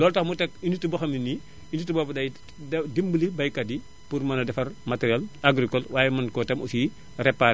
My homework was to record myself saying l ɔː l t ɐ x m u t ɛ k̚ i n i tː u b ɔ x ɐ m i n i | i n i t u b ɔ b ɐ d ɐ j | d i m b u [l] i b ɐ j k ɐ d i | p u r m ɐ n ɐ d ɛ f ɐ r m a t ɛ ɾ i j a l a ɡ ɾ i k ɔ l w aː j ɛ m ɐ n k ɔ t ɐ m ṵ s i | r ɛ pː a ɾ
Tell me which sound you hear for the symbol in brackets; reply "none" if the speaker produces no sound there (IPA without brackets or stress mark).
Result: l